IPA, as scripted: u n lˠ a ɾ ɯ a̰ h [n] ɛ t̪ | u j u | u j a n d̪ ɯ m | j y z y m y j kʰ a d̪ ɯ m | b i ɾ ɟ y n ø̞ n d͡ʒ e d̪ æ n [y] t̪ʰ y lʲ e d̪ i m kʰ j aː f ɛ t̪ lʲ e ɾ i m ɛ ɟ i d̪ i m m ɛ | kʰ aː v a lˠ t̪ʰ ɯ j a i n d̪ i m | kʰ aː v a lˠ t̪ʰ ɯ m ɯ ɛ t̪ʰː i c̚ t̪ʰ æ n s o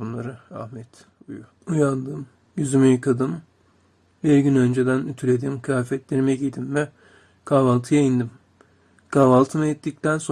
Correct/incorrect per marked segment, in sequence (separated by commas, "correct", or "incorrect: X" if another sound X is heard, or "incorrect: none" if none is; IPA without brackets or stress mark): incorrect: m, correct